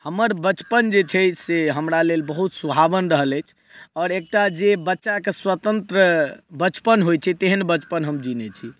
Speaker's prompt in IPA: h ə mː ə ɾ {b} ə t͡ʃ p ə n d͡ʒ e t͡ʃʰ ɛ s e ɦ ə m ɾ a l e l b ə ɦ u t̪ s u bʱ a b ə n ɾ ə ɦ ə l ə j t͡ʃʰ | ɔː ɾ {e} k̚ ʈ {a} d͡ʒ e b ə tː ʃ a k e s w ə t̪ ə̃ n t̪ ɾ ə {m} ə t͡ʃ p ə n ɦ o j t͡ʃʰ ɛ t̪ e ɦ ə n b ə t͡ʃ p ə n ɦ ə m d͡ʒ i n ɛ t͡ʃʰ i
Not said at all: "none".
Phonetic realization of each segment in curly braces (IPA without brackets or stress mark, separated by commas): b, e, a, b